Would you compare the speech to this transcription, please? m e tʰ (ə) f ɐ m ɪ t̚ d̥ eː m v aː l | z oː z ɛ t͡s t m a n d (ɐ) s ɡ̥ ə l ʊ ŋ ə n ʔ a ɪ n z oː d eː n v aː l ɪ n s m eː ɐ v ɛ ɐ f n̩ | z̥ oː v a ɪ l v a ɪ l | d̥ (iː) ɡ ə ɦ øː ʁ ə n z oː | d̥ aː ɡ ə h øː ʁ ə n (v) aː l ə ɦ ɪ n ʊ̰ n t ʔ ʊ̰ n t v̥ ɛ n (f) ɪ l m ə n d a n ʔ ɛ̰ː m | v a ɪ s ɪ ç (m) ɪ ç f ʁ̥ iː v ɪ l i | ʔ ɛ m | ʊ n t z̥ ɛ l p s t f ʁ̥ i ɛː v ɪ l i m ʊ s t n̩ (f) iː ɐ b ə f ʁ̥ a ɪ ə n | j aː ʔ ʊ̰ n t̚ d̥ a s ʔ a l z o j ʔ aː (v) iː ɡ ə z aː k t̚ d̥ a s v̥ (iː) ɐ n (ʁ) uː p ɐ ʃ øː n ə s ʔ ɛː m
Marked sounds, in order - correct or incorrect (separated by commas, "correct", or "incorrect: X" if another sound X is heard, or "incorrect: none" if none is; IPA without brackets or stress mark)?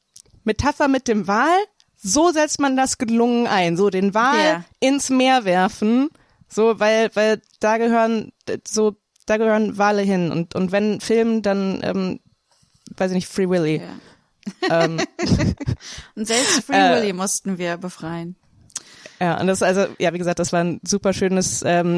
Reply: incorrect: a, incorrect: a, incorrect: aː, correct, correct, incorrect: n, incorrect: v, correct, incorrect: aː, incorrect: z